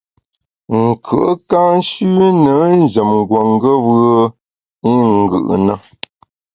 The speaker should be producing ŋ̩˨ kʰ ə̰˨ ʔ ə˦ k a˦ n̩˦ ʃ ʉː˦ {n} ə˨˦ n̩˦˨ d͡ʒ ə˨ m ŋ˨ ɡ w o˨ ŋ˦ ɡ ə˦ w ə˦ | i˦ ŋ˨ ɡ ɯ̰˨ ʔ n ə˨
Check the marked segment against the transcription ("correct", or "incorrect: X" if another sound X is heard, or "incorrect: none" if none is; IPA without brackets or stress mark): correct